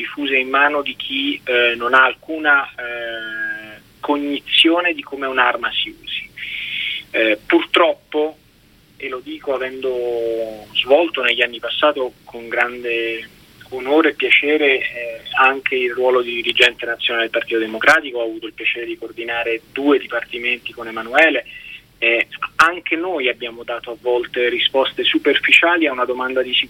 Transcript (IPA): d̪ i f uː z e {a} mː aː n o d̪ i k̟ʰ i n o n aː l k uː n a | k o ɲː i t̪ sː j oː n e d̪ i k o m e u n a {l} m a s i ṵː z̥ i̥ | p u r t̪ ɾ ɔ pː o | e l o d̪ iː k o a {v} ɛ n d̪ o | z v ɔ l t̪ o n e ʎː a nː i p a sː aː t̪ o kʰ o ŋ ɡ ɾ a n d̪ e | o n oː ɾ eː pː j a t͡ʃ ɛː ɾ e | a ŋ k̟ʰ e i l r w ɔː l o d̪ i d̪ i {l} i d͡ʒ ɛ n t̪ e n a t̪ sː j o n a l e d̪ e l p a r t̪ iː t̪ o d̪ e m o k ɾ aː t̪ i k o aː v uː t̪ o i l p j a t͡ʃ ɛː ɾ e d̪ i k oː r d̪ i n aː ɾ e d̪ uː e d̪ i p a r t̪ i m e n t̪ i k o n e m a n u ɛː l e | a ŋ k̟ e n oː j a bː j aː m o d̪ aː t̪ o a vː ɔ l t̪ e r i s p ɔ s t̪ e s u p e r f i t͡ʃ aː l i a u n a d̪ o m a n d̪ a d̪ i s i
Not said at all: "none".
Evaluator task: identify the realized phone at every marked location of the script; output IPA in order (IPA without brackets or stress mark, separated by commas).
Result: i, r, v, ɾ